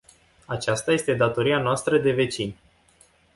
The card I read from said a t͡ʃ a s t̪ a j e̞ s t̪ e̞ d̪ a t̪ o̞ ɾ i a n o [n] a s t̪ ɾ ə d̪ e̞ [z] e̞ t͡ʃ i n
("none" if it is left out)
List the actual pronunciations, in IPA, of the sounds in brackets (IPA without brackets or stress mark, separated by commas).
none, v